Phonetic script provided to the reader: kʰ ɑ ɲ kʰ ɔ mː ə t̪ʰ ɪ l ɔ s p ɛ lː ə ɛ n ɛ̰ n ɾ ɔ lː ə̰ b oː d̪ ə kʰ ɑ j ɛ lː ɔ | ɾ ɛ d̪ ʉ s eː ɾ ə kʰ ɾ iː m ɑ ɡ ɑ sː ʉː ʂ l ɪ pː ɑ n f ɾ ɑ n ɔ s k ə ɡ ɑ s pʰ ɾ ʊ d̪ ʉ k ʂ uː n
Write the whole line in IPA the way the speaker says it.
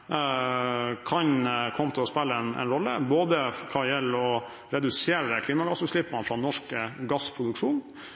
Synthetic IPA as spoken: kʰ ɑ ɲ kʰ ɔ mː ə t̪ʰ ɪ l ɔ s p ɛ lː ə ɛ n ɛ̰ n ɾ ɔ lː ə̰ b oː d̪ ə kʰ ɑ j ɛ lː ɔ | ɾ ɛ d̪ ʉ s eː ɾ ə kʰ l iː m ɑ ɡ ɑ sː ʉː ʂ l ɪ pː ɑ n f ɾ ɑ n ɔ ʂ k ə ɡ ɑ s pʰ ɾ ʊ d̪ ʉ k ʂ uː n